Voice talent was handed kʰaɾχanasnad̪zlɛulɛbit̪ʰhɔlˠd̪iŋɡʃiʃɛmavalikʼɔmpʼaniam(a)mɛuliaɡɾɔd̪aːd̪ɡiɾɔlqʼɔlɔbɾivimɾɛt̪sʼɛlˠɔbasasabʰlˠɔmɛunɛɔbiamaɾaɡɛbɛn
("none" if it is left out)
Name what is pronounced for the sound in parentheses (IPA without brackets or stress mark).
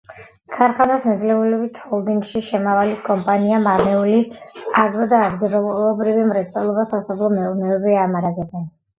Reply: a